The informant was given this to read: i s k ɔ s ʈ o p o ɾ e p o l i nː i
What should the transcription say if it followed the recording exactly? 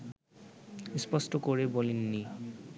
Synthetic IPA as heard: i s p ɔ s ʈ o k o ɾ e b o l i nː i